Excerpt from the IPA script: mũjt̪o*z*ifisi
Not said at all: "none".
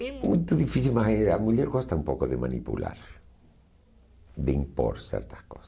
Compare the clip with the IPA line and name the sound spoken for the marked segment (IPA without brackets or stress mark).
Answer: ð